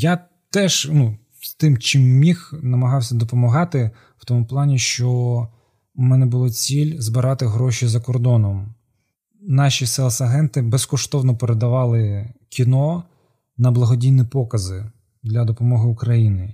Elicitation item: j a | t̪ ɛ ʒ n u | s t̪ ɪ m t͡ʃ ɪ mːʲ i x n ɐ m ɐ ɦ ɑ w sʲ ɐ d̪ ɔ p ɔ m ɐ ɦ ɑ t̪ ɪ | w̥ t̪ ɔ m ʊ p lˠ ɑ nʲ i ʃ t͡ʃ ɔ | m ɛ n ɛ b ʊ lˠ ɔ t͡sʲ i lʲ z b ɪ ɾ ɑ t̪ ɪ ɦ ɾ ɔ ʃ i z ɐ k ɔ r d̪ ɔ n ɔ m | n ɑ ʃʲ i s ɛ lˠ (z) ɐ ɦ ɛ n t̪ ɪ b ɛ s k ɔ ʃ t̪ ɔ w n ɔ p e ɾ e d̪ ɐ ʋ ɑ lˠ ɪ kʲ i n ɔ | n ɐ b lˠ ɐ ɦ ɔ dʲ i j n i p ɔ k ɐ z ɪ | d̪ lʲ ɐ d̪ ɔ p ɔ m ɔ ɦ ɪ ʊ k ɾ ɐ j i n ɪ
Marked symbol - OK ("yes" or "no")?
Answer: no